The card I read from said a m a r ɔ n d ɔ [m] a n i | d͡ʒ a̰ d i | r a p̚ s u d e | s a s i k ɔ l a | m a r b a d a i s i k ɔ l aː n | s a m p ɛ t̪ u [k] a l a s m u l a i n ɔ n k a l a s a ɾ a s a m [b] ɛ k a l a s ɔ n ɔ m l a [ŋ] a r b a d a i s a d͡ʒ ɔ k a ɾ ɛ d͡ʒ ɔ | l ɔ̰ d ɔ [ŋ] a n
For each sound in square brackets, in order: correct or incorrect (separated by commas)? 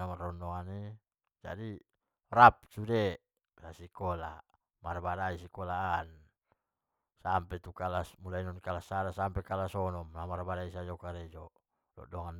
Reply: incorrect, correct, incorrect, incorrect, correct